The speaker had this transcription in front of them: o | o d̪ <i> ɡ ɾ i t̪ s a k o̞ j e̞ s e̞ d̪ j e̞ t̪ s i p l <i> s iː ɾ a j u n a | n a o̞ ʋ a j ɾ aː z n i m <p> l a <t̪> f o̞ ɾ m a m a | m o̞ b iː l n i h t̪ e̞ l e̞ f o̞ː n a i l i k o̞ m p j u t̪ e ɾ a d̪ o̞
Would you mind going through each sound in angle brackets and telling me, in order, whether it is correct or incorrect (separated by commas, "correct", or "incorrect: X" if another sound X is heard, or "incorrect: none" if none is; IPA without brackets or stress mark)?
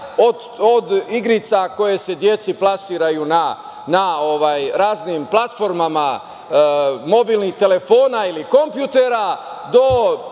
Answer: correct, incorrect: a, correct, correct